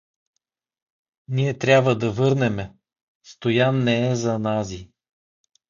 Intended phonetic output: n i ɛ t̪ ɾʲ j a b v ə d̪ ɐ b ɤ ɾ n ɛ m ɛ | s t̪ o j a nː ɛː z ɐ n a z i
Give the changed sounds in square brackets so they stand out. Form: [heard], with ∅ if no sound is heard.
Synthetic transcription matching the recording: n i ɛ t̪ ɾʲ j a b v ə d̪ ɐ [v] ɤ ɾ n ɛ m ɛ | s t̪ o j a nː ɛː z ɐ n a z i